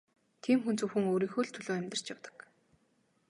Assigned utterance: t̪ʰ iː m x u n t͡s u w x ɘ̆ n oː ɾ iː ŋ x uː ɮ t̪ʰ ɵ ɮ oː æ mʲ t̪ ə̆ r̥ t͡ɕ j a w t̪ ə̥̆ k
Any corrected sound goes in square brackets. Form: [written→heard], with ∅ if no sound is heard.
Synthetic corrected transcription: t̪ʰ iː m x u n t͡s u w x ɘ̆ [n→ŋ] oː ɾ iː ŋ x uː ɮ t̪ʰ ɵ ɮ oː æ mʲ t̪ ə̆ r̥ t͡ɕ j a w t̪ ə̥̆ k

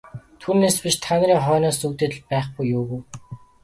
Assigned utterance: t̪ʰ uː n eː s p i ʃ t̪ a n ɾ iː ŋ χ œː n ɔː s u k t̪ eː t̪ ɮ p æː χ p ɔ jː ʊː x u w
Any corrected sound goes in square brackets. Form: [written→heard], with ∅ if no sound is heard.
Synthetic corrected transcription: t̪ʰ uː n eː s p i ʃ [t̪→t̪ʰ] a n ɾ iː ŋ χ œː n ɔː s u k t̪ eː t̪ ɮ p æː χ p [ɔ→u] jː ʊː [x→ɣ] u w

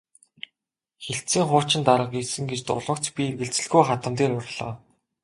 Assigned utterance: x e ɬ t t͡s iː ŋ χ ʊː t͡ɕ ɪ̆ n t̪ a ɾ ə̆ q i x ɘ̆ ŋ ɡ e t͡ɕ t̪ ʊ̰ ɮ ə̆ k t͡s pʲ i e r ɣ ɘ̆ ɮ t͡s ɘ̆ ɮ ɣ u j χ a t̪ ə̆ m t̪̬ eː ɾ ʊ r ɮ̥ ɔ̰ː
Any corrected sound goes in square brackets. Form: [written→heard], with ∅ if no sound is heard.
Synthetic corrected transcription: x e ɬ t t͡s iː ŋ χ ʊː t͡ɕ ɪ̆ n t̪ a ɾ ə̆ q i [x→s] ɘ̆ ŋ ɡ e t͡ɕ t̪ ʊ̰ ɮ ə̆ k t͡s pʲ i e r ɣ ɘ̆ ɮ t͡s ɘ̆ ɮ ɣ u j χ a t̪ ə̆ m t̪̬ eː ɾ ʊ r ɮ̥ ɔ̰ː

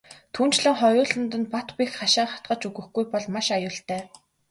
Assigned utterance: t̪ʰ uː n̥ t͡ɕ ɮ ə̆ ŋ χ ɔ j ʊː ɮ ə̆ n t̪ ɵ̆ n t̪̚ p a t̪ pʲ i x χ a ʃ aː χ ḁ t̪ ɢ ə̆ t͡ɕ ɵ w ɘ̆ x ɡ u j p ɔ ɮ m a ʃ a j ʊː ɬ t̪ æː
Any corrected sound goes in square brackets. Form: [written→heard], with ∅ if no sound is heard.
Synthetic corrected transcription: t̪ʰ uː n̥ t͡ɕ ɮ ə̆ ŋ χ ɔ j ʊː ɮ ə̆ n t̪ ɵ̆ n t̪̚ p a t̪ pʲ i x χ a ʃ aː χ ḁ t̪ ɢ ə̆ t͡ɕ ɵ [w→ɣ] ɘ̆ x ɡ u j p ɔ ɮ m a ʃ a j ʊː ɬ t̪ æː

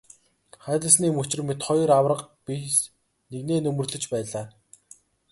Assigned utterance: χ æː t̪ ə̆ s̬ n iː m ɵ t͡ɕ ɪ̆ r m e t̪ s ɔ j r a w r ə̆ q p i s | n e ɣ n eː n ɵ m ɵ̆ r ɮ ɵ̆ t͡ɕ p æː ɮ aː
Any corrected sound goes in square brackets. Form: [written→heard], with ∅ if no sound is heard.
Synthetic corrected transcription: χ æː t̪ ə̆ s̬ n iː m ɵ t͡ɕ ɪ̆ r m e t̪ [s→χ] ɔ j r a w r ə̆ q p i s | n e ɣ n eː n ɵ m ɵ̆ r ɮ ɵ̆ t͡ɕ p æː ɮ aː

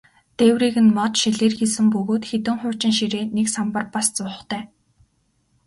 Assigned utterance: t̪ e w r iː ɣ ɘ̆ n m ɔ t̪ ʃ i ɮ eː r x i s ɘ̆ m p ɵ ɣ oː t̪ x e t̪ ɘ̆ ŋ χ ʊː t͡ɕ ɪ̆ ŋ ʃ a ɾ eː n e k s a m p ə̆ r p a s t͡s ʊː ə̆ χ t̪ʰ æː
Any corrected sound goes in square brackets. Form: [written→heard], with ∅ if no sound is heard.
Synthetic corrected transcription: t̪ e w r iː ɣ ɘ̆ n m ɔ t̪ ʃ i ɮ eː r x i s ɘ̆ m p ɵ ɣ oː t̪ x e t̪ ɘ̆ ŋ χ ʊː t͡ɕ ɪ̆ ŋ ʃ [a→i] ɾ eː n e k s a m p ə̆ r p a s t͡s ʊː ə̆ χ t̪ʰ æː

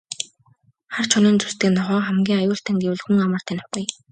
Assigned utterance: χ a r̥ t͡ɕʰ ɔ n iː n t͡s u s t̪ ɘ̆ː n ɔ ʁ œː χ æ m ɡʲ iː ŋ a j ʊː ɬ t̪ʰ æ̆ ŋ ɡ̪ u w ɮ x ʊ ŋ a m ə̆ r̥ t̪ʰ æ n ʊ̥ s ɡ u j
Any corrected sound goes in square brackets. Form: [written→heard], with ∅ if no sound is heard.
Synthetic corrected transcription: χ a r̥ t͡ɕʰ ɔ n iː n t͡s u s t̪ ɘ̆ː n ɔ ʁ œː χ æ m ɡʲ iː ŋ a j ʊː ɬ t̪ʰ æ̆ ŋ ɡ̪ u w ɮ x [ʊ→u] ŋ a m ə̆ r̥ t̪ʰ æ n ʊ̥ [s→χ] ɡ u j

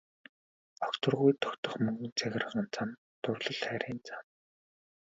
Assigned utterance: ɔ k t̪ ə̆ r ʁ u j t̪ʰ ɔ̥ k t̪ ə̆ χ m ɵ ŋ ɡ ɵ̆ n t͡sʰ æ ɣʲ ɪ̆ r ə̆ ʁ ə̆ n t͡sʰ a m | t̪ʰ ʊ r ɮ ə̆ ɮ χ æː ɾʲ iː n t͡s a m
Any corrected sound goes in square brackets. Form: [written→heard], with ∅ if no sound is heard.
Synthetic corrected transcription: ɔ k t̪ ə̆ r ʁ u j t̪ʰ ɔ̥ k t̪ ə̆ χ m ɵ ŋ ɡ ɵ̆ n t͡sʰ æ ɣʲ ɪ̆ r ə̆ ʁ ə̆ n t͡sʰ a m | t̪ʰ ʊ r ɮ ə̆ ɮ χ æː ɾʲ iː n t͡s a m

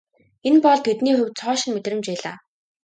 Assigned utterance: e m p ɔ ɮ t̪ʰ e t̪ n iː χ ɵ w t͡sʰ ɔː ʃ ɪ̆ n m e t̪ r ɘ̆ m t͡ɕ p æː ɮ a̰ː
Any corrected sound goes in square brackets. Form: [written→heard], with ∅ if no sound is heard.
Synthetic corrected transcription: e [m→n] p ɔ ɮ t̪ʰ e t̪ n iː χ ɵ w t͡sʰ ɔː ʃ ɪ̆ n m e t̪ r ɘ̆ m t͡ɕ p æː ɮ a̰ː

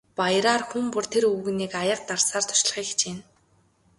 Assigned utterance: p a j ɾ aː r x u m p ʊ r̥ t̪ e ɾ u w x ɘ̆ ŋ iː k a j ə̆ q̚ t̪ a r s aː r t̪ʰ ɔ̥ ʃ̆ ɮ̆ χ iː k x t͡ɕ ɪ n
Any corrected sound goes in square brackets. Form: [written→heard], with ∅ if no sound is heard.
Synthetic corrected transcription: p a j ɾ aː r x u m p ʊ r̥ [t̪→t̪ʰ] e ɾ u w [x→ɣ] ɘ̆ [ŋ→n] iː k a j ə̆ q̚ t̪ a r s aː r t̪ʰ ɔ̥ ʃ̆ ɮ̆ χ iː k x t͡ɕ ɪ n

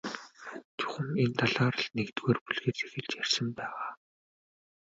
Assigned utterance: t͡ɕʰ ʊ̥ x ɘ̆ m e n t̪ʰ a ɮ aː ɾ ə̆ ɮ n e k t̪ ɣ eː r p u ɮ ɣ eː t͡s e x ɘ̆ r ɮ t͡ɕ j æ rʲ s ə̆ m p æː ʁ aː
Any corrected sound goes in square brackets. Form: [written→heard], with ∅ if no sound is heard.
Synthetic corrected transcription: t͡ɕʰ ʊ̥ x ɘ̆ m e n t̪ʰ a ɮ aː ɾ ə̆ ɮ n e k t̪ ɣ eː r p u ɮ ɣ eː t͡s e x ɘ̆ [r→∅] ɮ t͡ɕ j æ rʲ s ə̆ m p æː ʁ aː

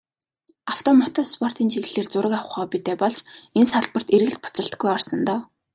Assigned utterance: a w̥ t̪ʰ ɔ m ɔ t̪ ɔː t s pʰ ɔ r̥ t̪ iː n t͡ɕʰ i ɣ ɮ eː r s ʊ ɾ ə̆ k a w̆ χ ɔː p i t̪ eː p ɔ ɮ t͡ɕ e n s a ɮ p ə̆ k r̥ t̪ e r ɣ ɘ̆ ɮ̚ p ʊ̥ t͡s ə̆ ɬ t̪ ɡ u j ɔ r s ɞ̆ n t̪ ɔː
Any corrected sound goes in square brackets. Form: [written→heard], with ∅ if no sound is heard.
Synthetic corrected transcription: a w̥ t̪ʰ ɔ m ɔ t̪ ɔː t s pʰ ɔ r̥ t̪ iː n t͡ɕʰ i ɣ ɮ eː r [s→t͡s] ʊ ɾ ə̆ k a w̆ χ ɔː p i t̪ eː p ɔ ɮ t͡ɕ e n s a ɮ p ə̆ [k→∅] r̥ t̪ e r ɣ ɘ̆ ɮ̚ p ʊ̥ t͡s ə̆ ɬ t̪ ɡ u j ɔ r s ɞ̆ n t̪ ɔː

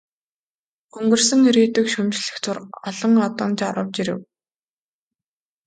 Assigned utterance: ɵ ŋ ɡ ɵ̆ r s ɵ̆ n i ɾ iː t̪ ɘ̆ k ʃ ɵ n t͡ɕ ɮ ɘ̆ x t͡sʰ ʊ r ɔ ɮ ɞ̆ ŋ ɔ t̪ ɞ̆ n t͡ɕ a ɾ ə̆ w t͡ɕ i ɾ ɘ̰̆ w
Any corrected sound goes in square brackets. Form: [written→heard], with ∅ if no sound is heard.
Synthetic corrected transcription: ɵ ŋ ɡ ɵ̆ r s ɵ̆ [n→ŋ] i ɾ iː t̪ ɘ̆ k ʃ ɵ [n→m] t͡ɕ ɮ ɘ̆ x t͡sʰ ʊ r ɔ ɮ ɞ̆ ŋ ɔ t̪ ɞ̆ n t͡ɕ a ɾ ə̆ w t͡ɕ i ɾ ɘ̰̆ w

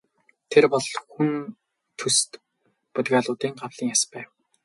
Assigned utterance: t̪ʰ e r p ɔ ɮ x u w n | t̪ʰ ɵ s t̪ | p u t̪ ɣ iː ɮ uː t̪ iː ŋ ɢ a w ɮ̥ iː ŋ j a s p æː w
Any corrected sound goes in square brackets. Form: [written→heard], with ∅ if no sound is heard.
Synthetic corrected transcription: t̪ʰ e r p ɔ ɮ x u [w→∅] n | t̪ʰ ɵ s t̪ | p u t̪ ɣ [iː→aː] ɮ [uː→ʊː] t̪ iː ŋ ɢ a w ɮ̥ iː ŋ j a s p æː w

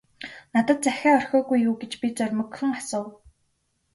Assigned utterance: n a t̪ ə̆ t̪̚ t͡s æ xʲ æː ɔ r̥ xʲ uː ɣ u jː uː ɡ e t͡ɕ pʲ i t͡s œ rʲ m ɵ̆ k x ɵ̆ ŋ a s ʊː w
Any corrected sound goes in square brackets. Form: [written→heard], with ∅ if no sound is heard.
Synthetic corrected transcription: n a t̪ ə̆ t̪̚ t͡s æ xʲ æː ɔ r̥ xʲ [uː→ɔː] ɣ u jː uː ɡ e t͡ɕ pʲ i t͡s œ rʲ m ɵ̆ k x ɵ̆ ŋ a s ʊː w

